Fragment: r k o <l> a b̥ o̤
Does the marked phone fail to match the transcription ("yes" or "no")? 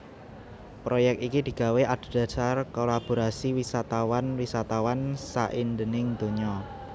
no